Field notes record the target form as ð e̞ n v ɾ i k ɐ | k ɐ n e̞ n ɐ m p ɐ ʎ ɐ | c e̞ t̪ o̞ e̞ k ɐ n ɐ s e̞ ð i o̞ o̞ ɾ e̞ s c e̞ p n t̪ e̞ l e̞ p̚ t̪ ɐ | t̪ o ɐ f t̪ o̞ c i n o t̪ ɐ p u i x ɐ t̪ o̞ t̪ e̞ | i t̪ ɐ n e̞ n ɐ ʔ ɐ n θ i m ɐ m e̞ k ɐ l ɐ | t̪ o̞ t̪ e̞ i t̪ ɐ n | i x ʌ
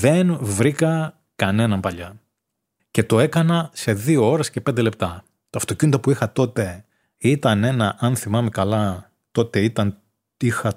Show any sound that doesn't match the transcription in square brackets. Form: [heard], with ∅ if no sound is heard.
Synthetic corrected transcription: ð e̞ n v ɾ i k ɐ | k ɐ n e̞ n ɐ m p ɐ ʎ ɐ | c e̞ t̪ o̞ e̞ k ɐ n ɐ s e̞ ð i o̞ o̞ ɾ e̞ s c e̞ p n [d̪] e̞ l e̞ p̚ t̪ ɐ | t̪ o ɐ f t̪ o̞ c i n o t̪ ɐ p u i x ɐ t̪ o̞ t̪ e̞ | i t̪ ɐ n e̞ n ɐ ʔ ɐ n θ i m ɐ m e̞ k ɐ l ɐ | t̪ o̞ t̪ e̞ i t̪ ɐ n | i x [ɐ]